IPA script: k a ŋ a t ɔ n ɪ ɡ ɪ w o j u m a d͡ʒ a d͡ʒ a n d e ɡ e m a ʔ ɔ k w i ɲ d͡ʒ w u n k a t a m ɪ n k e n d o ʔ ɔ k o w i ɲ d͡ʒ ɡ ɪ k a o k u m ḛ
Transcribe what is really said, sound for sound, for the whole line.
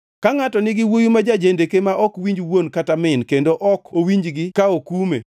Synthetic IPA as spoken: k a ŋ a t ɔ n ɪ ɡ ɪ w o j u m a d͡ʒ a d͡ʒ e n d e k e m a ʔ ɔ k w i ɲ d͡ʒ w o n k a t a m ɪ n k e n d o ʔ ɔ k o w i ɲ d͡ʒ ɡ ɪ k a o k u m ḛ